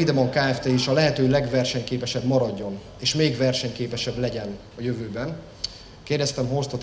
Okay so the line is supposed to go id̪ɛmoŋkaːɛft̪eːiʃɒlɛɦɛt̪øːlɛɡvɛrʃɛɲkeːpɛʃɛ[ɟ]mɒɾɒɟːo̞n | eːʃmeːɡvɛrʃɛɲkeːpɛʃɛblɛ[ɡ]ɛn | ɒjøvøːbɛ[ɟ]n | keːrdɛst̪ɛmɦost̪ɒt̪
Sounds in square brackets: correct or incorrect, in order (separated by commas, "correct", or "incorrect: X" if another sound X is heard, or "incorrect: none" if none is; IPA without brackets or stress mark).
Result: incorrect: b, incorrect: ɟ, incorrect: none